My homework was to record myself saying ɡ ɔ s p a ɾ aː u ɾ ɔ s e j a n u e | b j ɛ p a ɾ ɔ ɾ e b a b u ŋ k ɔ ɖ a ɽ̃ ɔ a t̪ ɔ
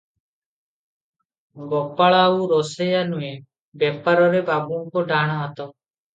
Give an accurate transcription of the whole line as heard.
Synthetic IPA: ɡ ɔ p a ɭ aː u ɾ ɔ s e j a n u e | b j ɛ p a ɾ ɔ ɾ e b a b u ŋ k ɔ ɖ a ɽ̃ ɔ a t̪ ɔ